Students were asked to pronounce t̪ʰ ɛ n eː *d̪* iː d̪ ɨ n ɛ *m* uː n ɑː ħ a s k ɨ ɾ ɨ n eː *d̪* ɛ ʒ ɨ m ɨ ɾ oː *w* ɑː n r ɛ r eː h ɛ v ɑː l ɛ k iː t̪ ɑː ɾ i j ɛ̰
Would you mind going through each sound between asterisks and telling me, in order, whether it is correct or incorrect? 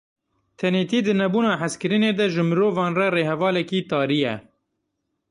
incorrect, incorrect, correct, incorrect

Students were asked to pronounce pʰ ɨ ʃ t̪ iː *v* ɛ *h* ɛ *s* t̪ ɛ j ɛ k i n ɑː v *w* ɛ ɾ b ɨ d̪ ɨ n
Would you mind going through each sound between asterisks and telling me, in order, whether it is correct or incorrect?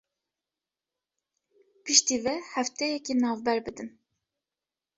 correct, correct, incorrect, incorrect

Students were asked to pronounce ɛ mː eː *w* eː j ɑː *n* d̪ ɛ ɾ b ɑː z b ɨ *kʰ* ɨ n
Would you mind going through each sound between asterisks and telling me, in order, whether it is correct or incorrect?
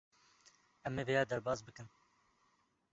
incorrect, incorrect, incorrect

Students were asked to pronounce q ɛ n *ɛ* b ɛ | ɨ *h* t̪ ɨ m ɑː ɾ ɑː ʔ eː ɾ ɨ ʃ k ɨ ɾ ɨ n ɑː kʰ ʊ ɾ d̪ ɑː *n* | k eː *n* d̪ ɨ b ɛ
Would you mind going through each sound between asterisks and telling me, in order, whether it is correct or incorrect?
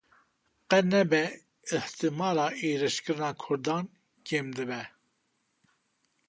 correct, correct, correct, incorrect

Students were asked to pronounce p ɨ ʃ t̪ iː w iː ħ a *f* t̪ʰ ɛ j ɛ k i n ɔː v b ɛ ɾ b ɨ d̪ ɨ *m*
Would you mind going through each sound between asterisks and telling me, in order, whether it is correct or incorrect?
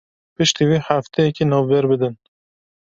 correct, incorrect

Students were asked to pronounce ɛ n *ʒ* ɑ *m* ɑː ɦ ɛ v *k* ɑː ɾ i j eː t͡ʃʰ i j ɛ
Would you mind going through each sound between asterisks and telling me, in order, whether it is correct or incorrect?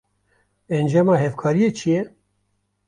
incorrect, correct, incorrect

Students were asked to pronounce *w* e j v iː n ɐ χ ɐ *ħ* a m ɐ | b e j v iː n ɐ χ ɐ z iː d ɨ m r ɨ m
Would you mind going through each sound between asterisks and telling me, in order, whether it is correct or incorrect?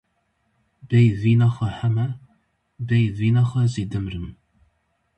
incorrect, correct

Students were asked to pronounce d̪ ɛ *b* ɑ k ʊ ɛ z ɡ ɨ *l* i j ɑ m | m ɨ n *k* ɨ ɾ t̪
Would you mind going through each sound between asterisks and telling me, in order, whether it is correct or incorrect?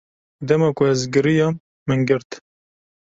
incorrect, incorrect, incorrect

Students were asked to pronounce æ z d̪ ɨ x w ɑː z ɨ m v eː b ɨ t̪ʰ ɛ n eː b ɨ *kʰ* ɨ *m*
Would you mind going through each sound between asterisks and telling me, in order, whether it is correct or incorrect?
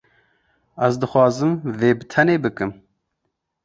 incorrect, correct

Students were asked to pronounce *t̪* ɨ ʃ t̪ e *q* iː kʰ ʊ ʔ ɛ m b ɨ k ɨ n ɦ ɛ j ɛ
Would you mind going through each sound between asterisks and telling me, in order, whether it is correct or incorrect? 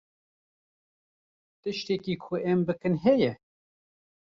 correct, incorrect

